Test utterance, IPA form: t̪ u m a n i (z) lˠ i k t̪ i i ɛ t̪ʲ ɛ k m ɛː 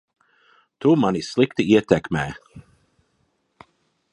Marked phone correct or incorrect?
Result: incorrect